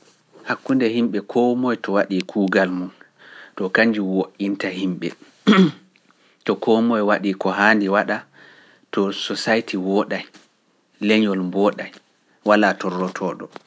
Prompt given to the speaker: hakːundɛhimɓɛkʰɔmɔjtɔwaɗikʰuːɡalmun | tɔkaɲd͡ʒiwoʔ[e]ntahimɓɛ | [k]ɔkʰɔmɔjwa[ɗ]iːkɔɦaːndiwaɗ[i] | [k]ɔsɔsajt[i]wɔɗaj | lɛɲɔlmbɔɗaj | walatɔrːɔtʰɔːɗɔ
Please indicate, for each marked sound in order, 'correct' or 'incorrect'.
incorrect, incorrect, correct, incorrect, incorrect, correct

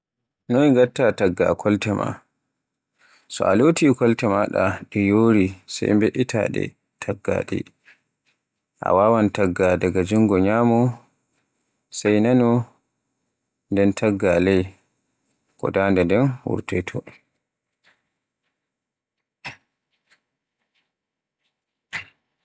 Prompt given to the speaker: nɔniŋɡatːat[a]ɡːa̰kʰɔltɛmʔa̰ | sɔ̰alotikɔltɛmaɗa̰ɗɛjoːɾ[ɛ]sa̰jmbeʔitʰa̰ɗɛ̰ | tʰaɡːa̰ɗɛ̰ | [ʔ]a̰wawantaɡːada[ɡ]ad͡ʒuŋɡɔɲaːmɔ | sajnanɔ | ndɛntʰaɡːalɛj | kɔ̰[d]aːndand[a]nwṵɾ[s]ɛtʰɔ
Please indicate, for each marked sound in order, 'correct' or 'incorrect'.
correct, incorrect, correct, correct, correct, incorrect, incorrect

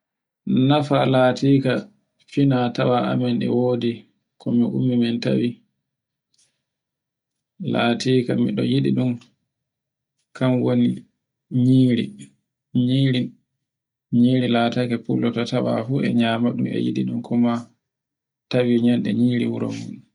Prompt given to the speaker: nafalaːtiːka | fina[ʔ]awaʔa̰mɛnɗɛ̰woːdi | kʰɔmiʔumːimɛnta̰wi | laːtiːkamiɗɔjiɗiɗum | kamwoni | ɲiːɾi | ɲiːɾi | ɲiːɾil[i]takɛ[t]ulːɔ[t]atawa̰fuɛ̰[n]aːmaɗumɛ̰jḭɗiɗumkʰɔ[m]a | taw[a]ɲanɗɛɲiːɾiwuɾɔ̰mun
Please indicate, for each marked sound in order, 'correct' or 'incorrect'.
incorrect, incorrect, incorrect, correct, incorrect, correct, incorrect

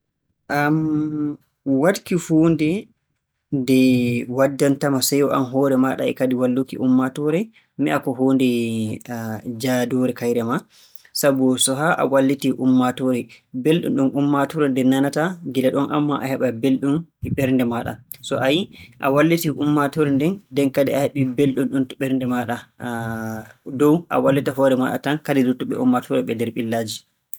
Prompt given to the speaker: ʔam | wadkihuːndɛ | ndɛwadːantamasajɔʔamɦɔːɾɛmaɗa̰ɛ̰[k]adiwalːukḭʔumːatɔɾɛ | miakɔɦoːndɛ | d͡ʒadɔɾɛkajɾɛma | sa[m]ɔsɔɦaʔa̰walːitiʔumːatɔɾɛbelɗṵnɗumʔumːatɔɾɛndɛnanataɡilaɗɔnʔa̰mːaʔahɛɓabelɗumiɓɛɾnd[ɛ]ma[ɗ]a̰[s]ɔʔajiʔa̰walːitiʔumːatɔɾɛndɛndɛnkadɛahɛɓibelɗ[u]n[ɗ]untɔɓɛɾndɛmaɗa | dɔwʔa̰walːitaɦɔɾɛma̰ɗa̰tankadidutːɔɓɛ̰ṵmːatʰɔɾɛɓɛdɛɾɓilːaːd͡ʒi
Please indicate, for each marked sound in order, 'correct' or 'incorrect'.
correct, incorrect, correct, correct, correct, correct, correct

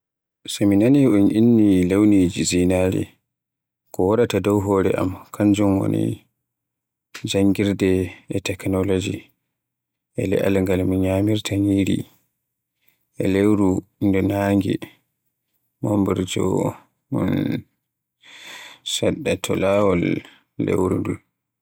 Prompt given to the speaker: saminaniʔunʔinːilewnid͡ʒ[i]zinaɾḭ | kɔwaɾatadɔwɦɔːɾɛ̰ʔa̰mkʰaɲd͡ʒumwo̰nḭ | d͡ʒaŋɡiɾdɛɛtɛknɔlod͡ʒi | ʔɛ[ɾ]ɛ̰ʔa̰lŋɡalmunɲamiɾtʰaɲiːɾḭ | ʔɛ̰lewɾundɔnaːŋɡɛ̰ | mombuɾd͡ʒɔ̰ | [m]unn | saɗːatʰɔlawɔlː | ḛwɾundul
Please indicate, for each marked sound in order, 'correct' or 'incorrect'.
correct, incorrect, correct

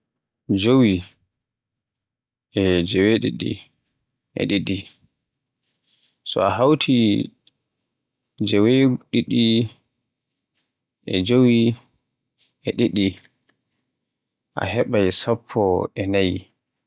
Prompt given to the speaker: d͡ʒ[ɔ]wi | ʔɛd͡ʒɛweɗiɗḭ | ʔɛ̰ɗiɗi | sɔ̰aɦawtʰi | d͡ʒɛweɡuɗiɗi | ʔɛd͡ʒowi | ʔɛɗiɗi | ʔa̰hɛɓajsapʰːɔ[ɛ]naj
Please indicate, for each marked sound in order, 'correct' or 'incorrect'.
incorrect, correct

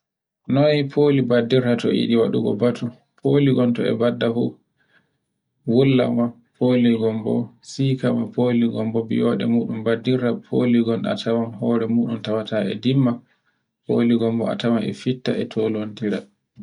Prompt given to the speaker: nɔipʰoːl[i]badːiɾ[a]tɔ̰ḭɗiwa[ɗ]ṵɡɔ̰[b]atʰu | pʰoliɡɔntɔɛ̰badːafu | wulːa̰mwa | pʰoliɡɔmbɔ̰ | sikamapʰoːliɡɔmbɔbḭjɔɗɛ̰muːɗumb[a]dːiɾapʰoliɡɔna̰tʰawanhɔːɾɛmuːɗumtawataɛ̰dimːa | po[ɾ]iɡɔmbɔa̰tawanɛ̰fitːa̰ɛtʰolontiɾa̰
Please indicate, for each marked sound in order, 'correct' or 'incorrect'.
correct, correct, correct, correct, correct, incorrect

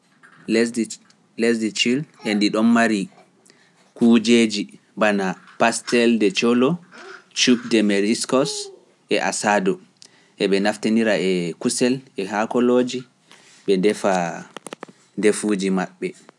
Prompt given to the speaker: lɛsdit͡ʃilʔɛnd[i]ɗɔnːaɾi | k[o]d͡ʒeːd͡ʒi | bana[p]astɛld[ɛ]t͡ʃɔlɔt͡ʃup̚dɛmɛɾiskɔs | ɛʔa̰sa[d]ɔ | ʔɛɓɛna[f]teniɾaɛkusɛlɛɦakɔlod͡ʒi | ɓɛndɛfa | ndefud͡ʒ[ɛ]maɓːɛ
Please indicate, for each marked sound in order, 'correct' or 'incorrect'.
correct, incorrect, correct, correct, correct, correct, incorrect

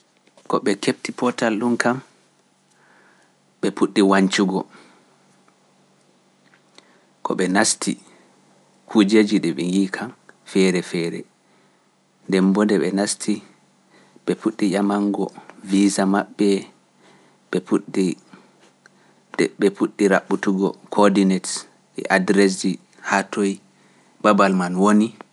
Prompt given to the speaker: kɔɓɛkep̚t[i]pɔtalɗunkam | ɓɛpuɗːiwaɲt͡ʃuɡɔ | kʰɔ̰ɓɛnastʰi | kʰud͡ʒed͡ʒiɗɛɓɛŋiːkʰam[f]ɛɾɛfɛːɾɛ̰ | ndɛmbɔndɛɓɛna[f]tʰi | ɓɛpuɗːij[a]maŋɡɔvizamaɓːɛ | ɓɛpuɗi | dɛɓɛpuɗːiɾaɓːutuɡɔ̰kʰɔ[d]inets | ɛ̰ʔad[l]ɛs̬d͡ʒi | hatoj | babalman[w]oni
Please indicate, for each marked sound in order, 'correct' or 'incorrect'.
correct, correct, incorrect, correct, correct, incorrect, correct

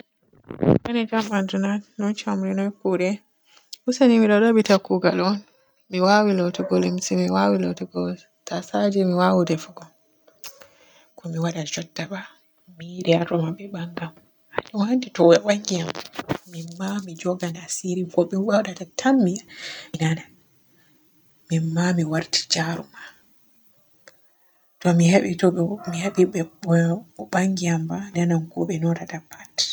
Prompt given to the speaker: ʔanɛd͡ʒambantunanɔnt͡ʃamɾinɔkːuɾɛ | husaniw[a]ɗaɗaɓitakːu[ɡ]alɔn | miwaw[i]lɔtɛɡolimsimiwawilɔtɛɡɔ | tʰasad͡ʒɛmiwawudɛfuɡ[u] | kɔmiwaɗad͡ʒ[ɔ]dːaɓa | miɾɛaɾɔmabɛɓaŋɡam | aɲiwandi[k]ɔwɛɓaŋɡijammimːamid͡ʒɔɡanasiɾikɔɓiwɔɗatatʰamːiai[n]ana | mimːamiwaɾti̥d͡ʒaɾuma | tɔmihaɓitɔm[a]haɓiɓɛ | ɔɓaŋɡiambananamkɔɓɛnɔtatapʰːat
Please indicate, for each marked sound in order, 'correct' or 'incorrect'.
incorrect, correct, correct, incorrect, correct, incorrect, correct, incorrect

